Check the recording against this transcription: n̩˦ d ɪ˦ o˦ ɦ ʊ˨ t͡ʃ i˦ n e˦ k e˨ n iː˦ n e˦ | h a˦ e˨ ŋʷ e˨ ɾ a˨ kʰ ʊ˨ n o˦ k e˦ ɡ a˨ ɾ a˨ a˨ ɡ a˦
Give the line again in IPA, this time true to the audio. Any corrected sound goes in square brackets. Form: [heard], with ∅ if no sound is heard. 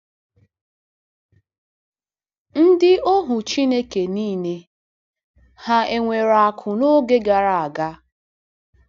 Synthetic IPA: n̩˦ d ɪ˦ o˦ ɦ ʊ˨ t͡ʃ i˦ n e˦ k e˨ n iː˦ n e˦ | h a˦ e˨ ŋʷ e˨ ɾ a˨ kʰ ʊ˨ n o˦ [ɡ] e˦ ɡ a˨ ɾ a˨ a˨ ɡ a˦

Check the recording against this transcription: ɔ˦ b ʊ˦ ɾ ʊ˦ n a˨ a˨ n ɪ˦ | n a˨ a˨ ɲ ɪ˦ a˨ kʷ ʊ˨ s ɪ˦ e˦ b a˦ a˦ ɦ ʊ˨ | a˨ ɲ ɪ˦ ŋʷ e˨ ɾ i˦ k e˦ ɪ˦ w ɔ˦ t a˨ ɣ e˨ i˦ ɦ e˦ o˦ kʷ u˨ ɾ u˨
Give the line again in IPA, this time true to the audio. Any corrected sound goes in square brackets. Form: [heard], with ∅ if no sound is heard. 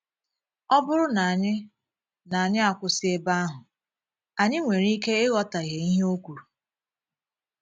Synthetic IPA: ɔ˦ b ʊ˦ ɾ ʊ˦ n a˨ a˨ [ɲ] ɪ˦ | n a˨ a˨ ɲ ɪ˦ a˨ kʷ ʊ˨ s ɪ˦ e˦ b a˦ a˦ ɦ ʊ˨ | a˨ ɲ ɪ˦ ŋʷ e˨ ɾ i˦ k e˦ ɪ˦ [ɣ] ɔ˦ t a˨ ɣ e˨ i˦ ɦ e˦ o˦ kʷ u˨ ɾ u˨

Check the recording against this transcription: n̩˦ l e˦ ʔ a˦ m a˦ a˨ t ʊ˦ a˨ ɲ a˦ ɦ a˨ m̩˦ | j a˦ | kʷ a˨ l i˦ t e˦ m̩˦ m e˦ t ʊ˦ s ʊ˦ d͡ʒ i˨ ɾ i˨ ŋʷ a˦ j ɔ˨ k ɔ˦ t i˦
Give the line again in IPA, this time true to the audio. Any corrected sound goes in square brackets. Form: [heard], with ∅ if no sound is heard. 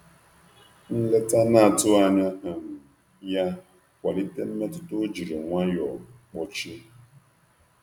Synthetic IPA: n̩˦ l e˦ [t] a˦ [n] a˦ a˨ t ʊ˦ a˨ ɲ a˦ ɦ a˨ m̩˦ | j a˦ | kʷ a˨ l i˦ t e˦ m̩˦ m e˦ t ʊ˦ [t] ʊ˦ d͡ʒ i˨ ɾ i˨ ŋʷ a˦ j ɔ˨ [k͡p] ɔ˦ [t͡ʃ] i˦

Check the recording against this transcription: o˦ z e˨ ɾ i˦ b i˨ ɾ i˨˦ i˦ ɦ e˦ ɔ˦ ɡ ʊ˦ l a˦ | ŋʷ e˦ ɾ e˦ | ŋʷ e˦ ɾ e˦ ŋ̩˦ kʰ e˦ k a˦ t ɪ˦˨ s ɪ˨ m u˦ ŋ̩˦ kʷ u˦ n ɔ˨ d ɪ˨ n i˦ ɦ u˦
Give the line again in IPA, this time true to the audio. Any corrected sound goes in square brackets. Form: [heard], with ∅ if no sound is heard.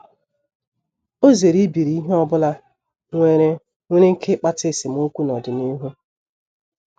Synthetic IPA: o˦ z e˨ ɾ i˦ b i˨ ɾ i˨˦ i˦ ɦ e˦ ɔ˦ [b] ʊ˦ l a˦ | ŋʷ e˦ ɾ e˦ | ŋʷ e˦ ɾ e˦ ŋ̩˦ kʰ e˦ [k͡p] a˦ t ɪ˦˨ s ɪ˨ m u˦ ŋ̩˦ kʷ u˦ n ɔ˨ d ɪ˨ n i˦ ɦ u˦

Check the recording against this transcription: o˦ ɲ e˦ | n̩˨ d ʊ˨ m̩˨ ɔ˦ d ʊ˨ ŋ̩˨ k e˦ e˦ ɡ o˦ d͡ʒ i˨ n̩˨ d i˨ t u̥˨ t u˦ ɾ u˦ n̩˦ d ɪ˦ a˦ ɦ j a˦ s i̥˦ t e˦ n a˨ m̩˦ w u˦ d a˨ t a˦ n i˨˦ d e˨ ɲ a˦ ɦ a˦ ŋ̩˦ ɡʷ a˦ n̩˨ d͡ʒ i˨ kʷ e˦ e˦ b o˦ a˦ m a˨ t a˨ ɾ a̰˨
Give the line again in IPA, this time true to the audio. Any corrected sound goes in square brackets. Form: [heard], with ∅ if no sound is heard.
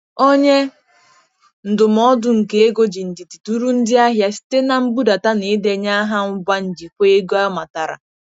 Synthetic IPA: o˦ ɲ e˦ | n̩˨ d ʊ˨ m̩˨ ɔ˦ d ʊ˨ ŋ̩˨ k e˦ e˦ ɡ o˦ d͡ʒ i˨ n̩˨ d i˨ t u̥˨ t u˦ ɾ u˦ n̩˦ d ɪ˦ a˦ ɦ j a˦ s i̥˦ t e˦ n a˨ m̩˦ [b] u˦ d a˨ t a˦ n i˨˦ d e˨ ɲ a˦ ɦ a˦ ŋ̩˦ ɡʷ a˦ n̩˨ d͡ʒ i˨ kʷ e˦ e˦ [ɡ] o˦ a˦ m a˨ t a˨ ɾ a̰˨

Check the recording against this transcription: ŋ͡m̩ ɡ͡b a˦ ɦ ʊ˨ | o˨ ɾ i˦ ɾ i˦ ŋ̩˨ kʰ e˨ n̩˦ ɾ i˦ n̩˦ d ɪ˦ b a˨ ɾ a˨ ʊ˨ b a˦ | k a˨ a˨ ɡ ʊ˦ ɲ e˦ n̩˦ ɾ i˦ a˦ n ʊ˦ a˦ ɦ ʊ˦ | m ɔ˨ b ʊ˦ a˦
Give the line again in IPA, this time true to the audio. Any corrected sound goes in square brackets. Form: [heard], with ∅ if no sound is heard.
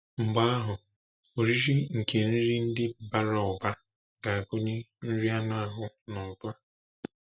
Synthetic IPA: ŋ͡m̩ ɡ͡b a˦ ɦ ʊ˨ | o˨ ɾ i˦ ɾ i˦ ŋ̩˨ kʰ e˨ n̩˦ ɾ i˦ n̩˦ d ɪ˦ b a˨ ɾ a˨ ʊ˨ b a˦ | [ɡ] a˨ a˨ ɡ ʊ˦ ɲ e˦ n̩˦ ɾ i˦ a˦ n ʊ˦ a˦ ɦ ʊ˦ | [n] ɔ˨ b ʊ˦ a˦

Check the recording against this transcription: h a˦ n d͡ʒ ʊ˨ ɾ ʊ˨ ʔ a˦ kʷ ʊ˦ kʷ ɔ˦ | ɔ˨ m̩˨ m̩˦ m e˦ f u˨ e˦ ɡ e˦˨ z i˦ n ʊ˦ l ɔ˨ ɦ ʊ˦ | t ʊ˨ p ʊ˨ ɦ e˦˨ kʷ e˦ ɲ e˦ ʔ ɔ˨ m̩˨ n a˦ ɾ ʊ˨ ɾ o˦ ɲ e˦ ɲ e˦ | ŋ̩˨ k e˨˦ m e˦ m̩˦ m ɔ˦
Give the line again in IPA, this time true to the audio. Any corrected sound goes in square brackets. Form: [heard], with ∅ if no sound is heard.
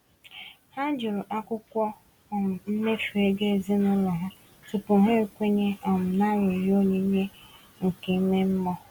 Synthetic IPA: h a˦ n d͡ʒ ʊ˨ ɾ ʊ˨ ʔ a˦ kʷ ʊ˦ kʷ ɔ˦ | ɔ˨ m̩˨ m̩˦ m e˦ f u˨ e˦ ɡ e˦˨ z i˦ n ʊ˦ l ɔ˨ ɦ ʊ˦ | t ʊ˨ p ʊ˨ ɦ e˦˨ kʷ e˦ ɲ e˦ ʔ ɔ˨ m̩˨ n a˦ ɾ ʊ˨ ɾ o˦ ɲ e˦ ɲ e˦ | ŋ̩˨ k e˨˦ m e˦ m̩˦ m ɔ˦

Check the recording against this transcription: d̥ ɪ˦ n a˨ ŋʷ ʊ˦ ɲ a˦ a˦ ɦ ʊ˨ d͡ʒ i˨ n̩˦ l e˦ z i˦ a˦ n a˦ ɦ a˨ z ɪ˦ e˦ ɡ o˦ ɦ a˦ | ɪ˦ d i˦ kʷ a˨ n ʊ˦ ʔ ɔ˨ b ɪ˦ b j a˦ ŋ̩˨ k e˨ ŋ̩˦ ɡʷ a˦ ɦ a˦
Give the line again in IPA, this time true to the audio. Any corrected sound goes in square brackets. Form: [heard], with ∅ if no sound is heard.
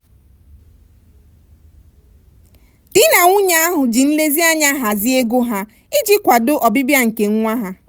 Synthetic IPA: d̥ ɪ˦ n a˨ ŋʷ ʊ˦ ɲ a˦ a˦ ɦ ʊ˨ d͡ʒ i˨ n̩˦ l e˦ z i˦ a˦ [ɲ] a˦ ɦ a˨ z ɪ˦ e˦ ɡ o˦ ɦ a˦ | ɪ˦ [d͡ʒ] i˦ kʷ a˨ [d] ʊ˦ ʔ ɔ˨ b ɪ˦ b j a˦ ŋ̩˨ k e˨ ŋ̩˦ [ŋʷ] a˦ ɦ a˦

